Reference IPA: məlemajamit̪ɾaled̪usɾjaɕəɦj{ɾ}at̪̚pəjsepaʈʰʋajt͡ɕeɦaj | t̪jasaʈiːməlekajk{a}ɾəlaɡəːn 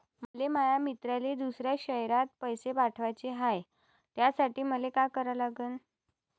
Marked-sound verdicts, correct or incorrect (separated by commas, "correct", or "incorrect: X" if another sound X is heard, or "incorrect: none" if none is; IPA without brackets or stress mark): correct, incorrect: ə